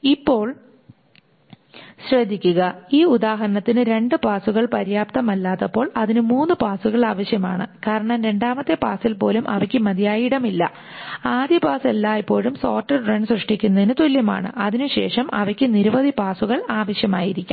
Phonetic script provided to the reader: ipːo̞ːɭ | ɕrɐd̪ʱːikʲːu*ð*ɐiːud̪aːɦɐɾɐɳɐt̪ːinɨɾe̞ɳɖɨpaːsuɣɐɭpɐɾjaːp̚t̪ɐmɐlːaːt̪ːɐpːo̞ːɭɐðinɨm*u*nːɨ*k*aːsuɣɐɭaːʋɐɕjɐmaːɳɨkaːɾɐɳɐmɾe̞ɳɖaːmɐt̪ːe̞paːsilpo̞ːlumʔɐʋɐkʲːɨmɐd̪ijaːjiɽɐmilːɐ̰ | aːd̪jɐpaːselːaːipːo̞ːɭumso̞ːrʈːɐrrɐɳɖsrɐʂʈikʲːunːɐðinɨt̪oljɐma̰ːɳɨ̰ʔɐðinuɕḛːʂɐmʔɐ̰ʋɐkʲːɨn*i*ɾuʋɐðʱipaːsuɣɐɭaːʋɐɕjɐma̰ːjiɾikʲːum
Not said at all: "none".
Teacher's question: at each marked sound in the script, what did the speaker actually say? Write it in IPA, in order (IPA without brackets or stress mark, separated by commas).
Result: ɣ, uː, p, i